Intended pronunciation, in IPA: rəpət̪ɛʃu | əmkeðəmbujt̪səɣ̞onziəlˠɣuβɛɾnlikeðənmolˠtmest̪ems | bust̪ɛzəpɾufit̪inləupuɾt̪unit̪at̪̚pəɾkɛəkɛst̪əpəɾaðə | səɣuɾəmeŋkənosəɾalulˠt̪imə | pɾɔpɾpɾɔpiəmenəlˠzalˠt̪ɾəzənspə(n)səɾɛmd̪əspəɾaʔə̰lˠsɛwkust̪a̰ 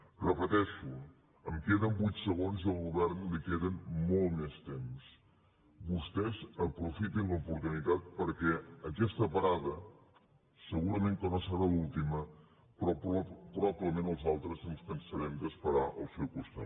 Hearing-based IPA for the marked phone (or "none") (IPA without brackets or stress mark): n